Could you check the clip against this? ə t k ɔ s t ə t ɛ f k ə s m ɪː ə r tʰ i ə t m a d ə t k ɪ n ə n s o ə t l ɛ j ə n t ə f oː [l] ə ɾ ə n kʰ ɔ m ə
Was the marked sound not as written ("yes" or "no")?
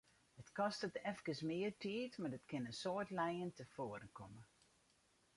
yes